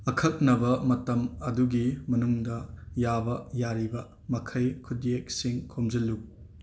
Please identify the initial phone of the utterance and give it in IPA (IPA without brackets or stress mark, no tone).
ɐ